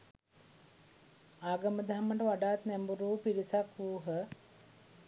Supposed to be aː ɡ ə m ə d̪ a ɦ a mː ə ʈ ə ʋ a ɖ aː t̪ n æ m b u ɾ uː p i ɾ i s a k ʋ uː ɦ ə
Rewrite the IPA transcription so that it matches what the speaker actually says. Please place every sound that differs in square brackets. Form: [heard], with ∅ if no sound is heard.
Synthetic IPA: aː ɡ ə m ə d̪ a ɦ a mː ə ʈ ə ʋ a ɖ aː t̪ n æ m b u ɾ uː p i ɾ i s a k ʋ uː ɦ ə